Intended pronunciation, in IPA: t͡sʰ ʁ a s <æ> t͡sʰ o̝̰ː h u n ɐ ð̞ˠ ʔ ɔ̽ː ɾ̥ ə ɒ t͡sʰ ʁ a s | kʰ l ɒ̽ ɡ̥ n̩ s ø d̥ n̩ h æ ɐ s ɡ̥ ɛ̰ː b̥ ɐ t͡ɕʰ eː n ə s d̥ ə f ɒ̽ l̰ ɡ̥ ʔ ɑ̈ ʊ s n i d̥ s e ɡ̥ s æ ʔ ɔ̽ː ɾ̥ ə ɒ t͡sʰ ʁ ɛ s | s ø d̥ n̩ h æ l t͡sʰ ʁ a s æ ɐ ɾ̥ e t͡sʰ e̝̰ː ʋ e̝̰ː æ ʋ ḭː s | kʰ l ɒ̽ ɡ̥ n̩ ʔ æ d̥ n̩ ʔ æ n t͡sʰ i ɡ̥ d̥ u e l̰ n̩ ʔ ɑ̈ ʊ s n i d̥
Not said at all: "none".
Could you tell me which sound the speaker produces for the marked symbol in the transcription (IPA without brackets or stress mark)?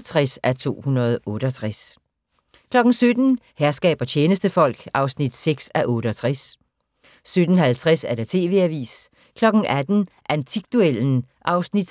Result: æ